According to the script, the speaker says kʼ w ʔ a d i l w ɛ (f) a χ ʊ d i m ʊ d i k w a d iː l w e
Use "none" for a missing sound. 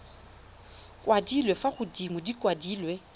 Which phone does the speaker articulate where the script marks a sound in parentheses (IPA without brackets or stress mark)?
f